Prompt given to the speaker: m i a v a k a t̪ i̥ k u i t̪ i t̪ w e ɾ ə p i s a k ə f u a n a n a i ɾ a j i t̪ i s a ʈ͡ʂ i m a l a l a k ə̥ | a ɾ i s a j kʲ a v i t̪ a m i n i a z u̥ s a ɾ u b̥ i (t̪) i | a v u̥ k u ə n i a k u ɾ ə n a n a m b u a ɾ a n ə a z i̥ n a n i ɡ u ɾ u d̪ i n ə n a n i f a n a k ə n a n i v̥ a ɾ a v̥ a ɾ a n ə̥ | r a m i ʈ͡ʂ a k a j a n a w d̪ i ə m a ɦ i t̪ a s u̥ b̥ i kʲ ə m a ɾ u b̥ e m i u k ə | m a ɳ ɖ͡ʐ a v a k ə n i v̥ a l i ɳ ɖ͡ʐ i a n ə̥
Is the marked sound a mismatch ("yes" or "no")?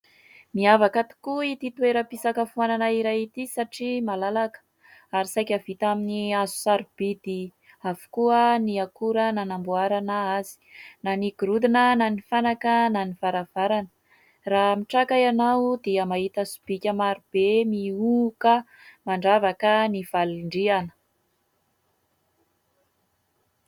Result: yes